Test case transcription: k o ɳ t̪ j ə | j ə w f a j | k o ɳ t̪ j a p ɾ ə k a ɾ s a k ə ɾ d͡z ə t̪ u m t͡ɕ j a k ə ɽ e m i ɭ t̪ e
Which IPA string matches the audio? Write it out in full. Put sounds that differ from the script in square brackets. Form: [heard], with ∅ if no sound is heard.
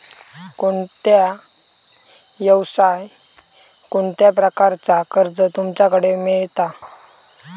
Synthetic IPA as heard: k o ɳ t̪ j [a] | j ə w [s] a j | k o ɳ t̪ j a p ɾ ə k a ɾ [t͡s] a k ə ɾ d͡z ə t̪ u m t͡ɕ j a k ə ɽ e m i ɭ t̪ [a]